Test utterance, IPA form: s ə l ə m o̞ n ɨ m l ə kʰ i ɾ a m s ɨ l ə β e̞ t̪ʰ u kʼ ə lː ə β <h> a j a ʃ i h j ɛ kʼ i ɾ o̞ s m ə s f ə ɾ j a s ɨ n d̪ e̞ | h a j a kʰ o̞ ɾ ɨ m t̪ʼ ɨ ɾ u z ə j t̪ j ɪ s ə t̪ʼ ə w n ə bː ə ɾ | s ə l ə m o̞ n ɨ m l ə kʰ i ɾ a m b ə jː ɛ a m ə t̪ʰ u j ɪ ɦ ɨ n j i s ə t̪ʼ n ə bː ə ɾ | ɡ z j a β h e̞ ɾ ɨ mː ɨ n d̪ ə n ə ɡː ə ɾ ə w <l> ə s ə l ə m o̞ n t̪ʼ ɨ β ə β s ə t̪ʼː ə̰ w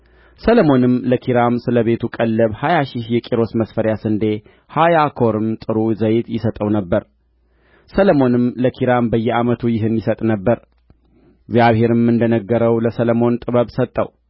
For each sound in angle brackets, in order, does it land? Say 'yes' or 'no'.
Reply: yes, yes

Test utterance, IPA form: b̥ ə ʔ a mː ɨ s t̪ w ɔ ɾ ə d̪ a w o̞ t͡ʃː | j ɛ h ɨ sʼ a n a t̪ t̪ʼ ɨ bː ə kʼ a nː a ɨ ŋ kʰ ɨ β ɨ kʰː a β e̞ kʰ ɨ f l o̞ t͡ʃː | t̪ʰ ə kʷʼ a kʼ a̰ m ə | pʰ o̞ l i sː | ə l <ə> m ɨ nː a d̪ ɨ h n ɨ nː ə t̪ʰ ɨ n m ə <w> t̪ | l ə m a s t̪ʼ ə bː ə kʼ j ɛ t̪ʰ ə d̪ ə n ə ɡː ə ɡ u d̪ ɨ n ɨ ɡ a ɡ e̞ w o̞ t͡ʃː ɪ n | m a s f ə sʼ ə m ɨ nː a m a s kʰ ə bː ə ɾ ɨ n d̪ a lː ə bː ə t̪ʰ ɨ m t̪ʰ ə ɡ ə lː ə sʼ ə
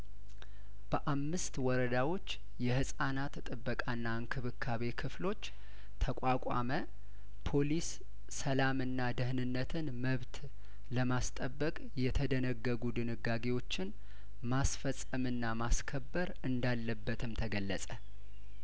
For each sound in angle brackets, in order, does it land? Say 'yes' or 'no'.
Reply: no, no

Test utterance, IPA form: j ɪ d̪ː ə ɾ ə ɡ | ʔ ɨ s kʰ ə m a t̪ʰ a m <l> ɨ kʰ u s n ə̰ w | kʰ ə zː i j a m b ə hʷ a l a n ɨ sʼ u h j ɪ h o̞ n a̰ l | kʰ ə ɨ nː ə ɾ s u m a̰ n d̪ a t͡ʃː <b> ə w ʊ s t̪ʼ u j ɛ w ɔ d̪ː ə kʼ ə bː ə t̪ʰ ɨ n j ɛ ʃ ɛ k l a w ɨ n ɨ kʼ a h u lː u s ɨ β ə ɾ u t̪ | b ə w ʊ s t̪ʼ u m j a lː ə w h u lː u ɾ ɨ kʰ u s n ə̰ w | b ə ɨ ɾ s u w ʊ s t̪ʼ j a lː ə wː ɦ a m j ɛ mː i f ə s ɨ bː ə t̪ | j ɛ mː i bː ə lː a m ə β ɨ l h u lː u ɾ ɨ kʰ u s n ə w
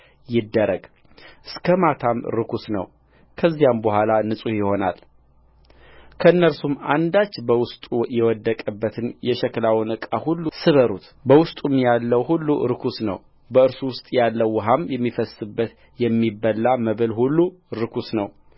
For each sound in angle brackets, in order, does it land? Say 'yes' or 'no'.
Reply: no, yes

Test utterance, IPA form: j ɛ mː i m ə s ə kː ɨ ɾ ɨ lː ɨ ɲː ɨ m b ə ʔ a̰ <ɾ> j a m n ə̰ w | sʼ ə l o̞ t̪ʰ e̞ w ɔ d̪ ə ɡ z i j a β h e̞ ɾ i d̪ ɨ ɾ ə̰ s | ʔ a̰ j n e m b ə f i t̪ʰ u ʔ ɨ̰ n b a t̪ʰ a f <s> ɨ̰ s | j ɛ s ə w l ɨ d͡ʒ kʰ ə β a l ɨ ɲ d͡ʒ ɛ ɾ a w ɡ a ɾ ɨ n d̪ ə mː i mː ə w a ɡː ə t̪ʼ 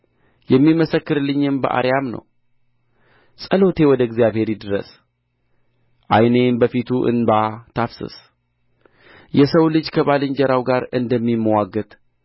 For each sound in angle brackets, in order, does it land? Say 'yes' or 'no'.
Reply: yes, yes

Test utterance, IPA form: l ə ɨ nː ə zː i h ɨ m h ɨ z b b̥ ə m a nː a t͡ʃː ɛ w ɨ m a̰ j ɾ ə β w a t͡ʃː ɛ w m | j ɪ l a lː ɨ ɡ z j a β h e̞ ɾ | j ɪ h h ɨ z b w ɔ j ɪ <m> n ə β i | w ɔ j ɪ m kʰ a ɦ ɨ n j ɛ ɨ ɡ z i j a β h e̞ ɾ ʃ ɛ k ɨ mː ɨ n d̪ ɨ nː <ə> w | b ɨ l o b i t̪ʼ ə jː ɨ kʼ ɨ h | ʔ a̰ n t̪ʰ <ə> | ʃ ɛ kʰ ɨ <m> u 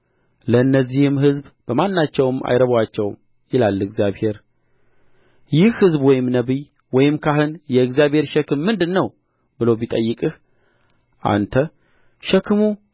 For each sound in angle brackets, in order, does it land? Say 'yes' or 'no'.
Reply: yes, yes, yes, yes

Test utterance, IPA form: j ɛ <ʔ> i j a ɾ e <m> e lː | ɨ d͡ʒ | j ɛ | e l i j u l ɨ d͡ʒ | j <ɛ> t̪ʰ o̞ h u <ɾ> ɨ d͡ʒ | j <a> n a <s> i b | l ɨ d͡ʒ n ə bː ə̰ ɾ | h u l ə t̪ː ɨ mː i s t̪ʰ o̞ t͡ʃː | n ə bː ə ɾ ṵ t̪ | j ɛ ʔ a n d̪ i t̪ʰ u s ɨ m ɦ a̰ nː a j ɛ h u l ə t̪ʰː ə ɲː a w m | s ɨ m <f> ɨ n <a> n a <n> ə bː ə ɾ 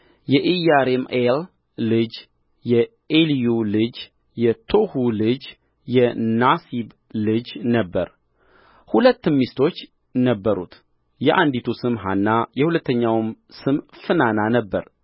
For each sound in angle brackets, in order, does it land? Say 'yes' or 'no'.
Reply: yes, yes, yes, no, no, yes, yes, yes, yes

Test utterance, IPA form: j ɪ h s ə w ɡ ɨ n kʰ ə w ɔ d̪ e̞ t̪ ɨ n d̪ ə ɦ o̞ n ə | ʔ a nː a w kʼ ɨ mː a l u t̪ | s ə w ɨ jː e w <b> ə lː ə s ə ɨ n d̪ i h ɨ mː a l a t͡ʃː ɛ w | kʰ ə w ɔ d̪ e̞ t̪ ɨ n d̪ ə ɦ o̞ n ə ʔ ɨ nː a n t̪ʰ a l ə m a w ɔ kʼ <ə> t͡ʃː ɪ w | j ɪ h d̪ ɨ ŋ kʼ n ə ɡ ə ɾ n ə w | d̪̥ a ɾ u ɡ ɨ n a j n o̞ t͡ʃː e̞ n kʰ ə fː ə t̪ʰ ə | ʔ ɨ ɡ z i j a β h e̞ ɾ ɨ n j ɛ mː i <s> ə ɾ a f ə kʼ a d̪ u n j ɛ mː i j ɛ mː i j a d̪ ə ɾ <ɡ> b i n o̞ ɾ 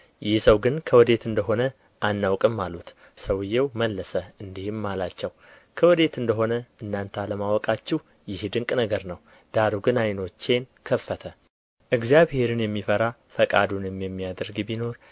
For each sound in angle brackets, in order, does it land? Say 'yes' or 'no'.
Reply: no, no, no, yes

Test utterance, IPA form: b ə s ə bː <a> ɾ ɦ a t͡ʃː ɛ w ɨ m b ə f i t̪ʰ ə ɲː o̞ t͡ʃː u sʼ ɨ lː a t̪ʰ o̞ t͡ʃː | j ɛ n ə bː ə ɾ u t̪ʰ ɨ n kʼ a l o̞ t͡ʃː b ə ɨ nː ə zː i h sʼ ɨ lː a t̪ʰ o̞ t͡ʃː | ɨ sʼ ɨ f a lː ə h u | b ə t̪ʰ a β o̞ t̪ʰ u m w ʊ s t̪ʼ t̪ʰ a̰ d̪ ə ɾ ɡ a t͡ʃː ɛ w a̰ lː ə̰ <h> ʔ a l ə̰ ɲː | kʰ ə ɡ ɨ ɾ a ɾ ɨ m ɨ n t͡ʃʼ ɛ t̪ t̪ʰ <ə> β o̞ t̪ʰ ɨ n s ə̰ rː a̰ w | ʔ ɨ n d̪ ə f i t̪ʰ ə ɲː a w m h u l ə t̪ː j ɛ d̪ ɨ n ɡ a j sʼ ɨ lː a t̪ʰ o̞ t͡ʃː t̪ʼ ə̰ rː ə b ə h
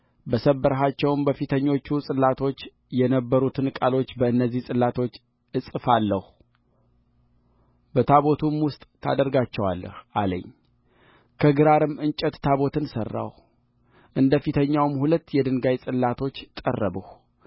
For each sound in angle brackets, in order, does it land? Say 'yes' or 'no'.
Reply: no, yes, no

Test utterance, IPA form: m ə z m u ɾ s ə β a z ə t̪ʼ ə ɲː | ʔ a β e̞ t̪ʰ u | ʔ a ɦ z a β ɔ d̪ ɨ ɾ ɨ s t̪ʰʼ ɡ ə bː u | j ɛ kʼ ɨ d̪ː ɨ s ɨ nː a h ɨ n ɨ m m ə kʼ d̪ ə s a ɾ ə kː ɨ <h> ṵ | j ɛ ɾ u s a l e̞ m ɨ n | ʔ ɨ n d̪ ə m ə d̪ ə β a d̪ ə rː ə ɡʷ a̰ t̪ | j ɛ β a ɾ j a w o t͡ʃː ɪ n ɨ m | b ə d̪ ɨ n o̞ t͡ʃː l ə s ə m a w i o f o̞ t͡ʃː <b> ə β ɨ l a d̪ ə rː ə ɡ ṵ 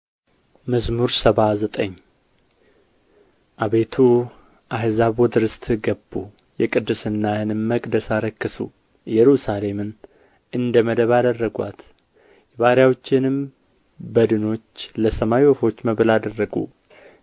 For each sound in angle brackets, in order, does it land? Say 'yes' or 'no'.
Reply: no, no

